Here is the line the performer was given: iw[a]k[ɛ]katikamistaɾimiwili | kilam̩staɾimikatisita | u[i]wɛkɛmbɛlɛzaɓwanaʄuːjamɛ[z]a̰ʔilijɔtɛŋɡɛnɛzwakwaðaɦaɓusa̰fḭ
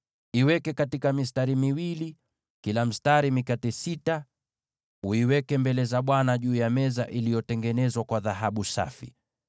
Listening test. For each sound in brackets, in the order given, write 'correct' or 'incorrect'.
incorrect, correct, correct, correct

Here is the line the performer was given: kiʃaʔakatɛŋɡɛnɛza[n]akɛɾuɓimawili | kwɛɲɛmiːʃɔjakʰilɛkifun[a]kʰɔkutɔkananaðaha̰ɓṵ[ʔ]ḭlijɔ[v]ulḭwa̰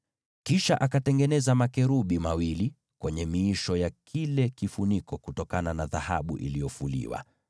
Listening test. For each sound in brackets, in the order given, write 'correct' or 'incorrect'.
incorrect, incorrect, correct, incorrect

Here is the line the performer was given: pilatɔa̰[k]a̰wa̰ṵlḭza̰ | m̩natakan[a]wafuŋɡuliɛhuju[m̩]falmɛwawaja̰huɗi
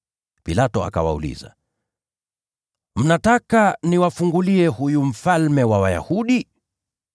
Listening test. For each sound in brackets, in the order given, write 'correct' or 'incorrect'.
correct, incorrect, correct

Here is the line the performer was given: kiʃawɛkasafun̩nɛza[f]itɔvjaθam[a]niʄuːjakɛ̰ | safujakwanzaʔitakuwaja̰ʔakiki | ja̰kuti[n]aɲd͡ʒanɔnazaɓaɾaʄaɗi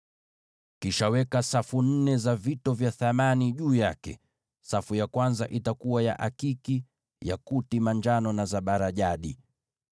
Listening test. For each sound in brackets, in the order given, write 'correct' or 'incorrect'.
incorrect, correct, incorrect

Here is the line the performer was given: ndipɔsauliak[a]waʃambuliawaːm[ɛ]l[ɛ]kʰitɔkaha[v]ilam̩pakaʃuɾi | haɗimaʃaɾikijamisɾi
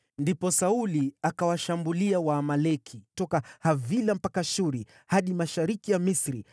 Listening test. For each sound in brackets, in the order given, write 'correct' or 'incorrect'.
correct, incorrect, correct, correct

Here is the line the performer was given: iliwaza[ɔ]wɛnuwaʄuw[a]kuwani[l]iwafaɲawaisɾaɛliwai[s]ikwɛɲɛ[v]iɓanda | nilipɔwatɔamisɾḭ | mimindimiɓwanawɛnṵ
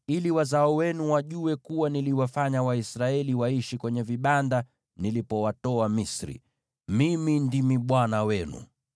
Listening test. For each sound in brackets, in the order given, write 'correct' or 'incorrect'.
correct, incorrect, correct, incorrect, correct

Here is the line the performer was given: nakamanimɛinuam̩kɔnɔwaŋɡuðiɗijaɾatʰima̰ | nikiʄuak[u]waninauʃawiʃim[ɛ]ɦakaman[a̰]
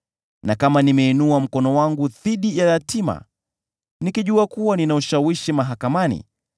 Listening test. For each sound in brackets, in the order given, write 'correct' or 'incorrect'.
correct, incorrect, incorrect

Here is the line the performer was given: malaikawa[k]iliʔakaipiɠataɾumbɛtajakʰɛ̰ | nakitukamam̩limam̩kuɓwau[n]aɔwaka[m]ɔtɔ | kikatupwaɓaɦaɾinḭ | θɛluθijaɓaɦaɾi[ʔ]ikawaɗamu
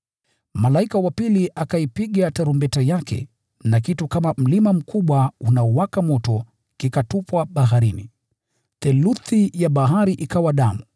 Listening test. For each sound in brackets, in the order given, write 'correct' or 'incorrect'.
incorrect, correct, correct, correct

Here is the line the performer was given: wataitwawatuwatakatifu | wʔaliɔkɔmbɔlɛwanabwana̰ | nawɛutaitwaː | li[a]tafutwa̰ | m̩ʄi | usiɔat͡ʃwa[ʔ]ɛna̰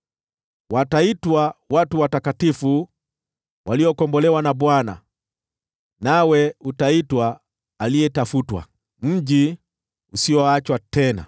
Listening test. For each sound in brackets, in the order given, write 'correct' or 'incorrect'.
incorrect, incorrect

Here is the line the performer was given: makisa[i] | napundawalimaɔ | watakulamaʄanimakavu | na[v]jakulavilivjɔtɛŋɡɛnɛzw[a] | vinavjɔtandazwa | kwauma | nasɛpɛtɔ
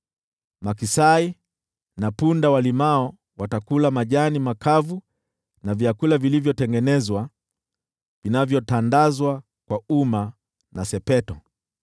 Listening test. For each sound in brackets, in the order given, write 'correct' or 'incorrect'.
correct, correct, correct

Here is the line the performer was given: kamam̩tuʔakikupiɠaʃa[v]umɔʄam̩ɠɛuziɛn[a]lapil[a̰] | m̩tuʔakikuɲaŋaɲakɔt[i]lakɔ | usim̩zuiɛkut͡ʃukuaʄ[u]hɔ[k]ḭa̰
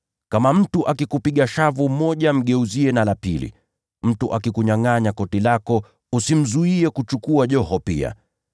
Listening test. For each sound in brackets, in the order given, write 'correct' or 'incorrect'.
correct, correct, incorrect, correct, incorrect, incorrect

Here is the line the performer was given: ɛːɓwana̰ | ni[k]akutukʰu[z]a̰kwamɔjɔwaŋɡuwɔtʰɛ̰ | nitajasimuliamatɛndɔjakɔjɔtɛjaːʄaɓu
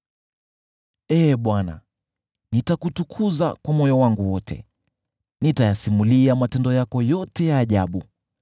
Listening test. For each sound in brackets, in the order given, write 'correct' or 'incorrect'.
incorrect, correct

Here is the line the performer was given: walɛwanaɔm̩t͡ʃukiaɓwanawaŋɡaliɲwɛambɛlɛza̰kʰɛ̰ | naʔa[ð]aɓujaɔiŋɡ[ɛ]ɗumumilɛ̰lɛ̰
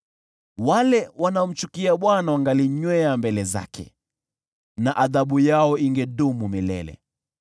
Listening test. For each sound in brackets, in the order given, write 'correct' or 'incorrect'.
correct, correct

